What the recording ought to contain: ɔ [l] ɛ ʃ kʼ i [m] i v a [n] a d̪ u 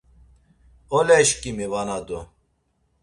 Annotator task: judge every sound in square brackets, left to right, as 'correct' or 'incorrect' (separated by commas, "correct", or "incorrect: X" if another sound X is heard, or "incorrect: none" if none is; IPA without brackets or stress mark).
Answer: correct, correct, correct